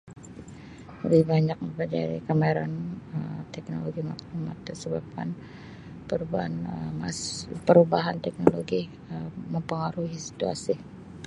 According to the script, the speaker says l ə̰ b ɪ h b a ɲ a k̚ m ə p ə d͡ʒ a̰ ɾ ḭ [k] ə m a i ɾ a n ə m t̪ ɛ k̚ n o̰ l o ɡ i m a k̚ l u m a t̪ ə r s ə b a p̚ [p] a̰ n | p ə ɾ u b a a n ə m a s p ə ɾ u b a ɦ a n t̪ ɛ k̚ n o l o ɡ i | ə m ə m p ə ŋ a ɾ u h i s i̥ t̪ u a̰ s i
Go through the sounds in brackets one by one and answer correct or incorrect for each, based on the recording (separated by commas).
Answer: correct, incorrect